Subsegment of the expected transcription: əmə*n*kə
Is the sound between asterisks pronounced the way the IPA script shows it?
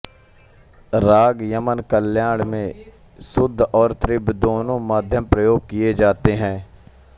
yes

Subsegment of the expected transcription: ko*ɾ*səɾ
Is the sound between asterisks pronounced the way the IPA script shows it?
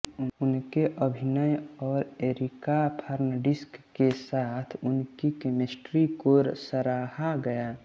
yes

